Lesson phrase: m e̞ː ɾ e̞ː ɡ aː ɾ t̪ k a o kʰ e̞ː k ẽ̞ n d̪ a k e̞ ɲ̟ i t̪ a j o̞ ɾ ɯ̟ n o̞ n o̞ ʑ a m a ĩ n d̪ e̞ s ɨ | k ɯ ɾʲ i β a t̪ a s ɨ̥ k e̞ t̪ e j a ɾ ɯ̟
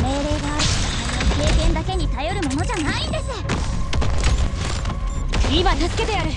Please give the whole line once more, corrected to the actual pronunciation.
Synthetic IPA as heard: m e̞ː ɾ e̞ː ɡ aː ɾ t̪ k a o k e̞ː k ẽ̞ n d̪ a k e̞ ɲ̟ i t̪ a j o̞ ɾ ɯ̟ m o̞ n o̞ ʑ a n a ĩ n d̪ e̞ s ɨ | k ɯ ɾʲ i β a t̪ a s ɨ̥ k e̞ t̪ e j a ɾ ɯ̟

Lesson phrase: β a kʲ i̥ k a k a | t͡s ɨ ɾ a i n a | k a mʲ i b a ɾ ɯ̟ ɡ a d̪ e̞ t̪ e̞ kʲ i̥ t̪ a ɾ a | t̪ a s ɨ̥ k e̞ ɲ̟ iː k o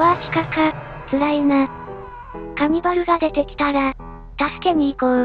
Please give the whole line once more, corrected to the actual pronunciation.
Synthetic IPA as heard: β a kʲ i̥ k a k a | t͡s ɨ ɾ a i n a | k a mʲ i b a ɾ ɯ̟ ɡ a d̪ e̞ t̪ e̞ kʲ i̥ t̪ a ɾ a | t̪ a s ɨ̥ k e̞ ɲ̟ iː k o

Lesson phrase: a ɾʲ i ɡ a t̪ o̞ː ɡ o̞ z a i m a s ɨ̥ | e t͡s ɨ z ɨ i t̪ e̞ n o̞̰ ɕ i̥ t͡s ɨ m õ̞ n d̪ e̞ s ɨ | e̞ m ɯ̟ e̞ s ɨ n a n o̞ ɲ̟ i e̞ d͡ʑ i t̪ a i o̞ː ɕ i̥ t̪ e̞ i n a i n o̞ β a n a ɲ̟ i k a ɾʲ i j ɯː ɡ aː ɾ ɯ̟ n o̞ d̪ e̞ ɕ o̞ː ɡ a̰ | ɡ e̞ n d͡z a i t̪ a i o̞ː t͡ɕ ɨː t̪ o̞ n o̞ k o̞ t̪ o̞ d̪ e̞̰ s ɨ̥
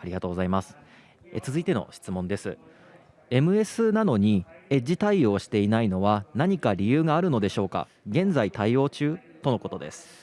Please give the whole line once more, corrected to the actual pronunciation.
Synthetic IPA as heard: a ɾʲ i ɡ a t̪ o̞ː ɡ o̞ z a i m a s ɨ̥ | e t͡s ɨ z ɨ i t̪ e̞ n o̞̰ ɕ i̥ t͡s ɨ m õ̞ n d̪ e̞ s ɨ | e̞ m ɯ̟ e̞ s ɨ n a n o̞ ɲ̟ i e̞ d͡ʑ i t̪ a i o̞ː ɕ i̥ t̪ e̞ i n a i n o̞ β a n a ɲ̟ i k a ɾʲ i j ɯː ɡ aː ɾ ɯ̟ n o̞ d̪ e̞ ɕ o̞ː k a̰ | ɡ ẽ̞ n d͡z a i t̪ a i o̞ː t͡ɕ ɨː t̪ o̞ n o̞ k o̞ t̪ o̞ d̪ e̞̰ s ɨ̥

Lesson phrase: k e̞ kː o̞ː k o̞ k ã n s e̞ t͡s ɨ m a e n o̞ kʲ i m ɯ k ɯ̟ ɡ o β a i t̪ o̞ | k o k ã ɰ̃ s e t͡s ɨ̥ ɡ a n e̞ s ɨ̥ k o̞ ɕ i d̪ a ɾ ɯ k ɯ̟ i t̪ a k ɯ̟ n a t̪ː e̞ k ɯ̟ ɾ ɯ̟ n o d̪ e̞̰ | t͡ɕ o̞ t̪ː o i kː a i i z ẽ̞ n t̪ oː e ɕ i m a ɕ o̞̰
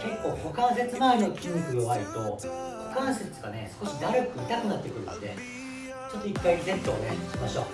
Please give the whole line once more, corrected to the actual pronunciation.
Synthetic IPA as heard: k e̞ kː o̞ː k o̞ k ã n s e̞ t͡s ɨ m a e n o̞ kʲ i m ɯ k ɯ̟ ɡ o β a i t̪ o̞ | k o k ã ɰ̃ s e t͡s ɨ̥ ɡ a n e̞ s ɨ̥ k o̞ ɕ i d̪ a ɾ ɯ k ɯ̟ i t̪ a k ɯ̟ n a t̪ː e̞ k ɯ̟ ɾ ɯ̟ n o d̪ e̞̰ | t͡ɕ o̞ t̪ː o i kː a i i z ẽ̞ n t̪ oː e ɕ i m a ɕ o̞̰

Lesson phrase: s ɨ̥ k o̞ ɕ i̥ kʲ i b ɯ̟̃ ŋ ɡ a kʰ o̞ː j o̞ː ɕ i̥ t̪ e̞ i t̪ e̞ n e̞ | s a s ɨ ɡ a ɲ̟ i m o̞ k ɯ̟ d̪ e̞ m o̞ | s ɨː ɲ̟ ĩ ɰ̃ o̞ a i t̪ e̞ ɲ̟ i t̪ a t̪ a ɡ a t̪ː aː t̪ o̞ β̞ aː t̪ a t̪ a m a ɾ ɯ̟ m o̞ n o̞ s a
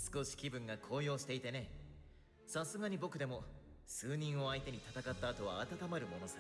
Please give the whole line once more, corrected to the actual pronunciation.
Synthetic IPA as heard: s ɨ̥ k o̞ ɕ i̥ kʲ i b ɯ̟̃ ŋ ɡ a kʰ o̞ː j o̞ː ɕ i̥ t̪ e̞ i t̪ e̞ n e̞ | s a s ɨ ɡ a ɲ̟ i b o̞ k ɯ̟ d̪ e̞ m o̞ | s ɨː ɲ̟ ĩ ɰ̃ o̞ a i t̪ e̞ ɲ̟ i t̪ a t̪ a k a t̪ː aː t̪ o̞ β̞ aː t̪ a t̪ a m a ɾ ɯ̟ m o̞ n o̞ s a

